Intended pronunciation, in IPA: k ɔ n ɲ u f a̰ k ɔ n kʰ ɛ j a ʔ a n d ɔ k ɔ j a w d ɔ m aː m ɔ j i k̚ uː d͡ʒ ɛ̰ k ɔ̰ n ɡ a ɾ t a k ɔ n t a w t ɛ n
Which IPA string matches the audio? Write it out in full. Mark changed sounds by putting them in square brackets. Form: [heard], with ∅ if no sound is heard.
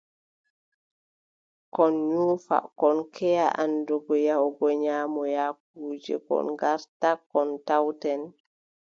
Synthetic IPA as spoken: k ɔ n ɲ u f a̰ k ɔ n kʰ ɛ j a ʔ a n d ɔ [ɡ] ɔ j a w [ɡ] ɔ [ɲ] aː m ɔ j [a] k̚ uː d͡ʒ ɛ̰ k ɔ̰ n ɡ a ɾ t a k ɔ n t a w t ɛ n